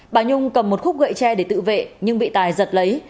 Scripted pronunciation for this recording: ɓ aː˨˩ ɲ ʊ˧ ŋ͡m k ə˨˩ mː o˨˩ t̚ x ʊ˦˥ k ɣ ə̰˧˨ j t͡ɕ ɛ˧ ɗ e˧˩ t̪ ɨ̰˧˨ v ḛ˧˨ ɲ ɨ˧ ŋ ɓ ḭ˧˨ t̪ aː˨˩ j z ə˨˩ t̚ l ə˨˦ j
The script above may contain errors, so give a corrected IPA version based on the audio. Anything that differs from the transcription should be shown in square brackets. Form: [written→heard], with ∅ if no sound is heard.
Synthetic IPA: ɓ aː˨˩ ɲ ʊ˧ ŋ͡m k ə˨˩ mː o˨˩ t̚ x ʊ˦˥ [k→k͡p̚] ɣ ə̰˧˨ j t͡ɕ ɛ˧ ɗ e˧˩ t̪ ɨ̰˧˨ v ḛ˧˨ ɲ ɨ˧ ŋ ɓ ḭ˧˨ t̪ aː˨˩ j z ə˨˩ t̚ l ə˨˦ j